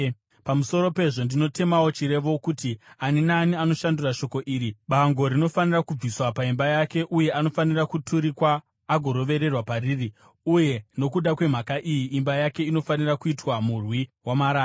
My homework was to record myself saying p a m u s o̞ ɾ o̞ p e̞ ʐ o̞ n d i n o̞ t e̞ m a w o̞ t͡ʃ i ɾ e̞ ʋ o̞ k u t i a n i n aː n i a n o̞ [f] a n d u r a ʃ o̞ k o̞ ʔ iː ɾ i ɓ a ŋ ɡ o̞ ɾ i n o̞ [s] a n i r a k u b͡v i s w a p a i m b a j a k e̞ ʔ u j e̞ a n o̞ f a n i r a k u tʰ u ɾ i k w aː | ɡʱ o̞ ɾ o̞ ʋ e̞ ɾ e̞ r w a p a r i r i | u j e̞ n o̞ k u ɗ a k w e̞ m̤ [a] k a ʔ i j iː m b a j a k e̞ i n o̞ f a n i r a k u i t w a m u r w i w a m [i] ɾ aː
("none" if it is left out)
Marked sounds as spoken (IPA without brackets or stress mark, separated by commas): ʃ, f, a, a